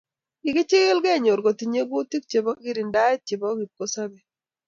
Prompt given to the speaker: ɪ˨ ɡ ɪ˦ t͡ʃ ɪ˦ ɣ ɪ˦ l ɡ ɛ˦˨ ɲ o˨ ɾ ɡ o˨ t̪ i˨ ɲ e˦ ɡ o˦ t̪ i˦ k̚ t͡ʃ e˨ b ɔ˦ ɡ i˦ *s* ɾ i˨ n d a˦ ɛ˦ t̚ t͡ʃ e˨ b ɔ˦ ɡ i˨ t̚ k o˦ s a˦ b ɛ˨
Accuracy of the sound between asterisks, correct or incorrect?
incorrect